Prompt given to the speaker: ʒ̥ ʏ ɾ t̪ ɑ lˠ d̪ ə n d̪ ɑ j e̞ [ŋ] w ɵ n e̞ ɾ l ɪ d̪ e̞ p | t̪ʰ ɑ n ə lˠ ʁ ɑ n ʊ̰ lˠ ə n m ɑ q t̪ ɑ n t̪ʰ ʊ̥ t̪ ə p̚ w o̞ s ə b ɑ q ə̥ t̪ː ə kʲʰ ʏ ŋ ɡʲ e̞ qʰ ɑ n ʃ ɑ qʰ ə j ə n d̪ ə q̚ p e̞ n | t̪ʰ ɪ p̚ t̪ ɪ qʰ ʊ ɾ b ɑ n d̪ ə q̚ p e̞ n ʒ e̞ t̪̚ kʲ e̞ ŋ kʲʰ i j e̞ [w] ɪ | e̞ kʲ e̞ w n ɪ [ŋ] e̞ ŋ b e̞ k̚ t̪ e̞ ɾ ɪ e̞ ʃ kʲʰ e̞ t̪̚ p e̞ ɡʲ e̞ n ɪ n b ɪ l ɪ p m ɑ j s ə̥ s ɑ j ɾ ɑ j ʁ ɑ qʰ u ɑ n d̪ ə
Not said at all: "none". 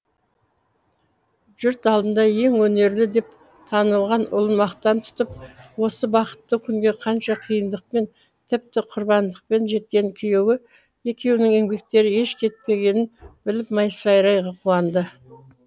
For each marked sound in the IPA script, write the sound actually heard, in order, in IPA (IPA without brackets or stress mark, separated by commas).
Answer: ŋ, w, ŋ